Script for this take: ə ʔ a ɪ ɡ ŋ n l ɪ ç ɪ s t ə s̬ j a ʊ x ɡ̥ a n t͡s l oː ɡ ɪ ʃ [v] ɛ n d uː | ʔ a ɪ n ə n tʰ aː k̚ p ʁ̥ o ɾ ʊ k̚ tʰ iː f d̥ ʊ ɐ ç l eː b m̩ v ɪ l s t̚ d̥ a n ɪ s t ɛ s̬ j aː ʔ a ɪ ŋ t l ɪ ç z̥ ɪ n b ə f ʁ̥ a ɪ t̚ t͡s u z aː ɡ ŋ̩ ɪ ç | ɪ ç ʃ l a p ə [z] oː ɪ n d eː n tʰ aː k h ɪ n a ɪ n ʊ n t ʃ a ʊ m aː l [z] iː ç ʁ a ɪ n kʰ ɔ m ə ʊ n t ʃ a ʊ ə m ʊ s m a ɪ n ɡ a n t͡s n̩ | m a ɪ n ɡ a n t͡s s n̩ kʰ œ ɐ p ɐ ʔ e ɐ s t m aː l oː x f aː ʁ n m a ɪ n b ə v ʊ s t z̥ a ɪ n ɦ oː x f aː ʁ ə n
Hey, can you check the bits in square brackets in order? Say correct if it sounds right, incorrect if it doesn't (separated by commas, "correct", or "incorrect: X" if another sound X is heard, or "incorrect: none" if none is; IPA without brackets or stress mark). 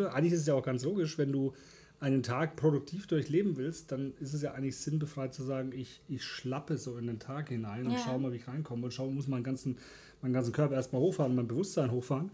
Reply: correct, correct, incorrect: v